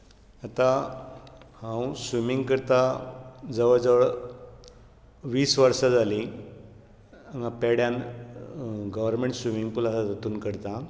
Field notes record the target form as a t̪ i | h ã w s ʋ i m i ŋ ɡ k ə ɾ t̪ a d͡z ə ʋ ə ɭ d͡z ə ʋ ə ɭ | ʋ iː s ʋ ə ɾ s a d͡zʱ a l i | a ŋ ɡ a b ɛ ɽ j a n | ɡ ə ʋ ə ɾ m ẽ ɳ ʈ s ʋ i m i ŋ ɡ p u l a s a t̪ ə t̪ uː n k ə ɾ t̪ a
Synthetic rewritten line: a t̪ a | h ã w s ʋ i m i ŋ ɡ k ə ɾ t̪ a d͡z ə ʋ ə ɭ d͡z ə ʋ ə ɭ | ʋ iː s ʋ ə ɾ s a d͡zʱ a l i | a ŋ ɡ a p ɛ ɽ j a n | ɡ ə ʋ ə ɾ m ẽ ɳ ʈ s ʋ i m i ŋ ɡ p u l a s a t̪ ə t̪ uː n k ə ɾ t̪ a